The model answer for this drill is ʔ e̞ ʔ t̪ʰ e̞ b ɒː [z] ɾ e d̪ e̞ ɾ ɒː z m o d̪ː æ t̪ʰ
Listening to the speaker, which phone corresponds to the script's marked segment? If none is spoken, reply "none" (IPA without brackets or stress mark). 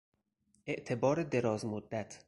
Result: none